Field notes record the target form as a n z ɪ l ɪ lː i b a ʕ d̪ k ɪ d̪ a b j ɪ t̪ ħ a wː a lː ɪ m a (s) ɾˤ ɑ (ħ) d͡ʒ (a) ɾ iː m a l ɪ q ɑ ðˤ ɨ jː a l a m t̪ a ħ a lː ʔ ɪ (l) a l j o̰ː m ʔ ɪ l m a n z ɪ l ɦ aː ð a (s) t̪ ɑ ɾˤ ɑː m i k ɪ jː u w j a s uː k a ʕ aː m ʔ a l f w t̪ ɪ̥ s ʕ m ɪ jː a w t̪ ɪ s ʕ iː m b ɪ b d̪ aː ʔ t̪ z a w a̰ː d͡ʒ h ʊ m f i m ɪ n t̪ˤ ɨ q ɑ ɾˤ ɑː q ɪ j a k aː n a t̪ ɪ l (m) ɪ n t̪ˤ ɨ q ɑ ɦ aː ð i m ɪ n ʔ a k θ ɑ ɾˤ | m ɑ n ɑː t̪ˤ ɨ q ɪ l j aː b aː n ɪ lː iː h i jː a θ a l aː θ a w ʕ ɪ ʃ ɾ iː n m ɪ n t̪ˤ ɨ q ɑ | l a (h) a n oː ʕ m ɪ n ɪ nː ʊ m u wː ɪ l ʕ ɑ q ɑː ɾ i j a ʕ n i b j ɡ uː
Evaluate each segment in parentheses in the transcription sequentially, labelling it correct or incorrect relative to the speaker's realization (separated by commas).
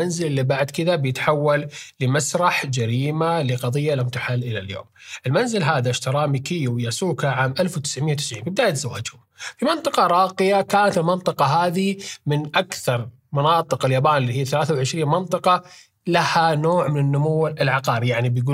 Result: correct, correct, correct, correct, incorrect, correct, correct